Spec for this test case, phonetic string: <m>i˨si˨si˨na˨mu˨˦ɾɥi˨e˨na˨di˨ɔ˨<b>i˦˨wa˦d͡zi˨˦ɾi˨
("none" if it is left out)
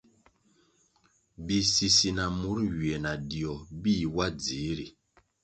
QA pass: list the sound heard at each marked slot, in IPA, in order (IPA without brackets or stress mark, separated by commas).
b, b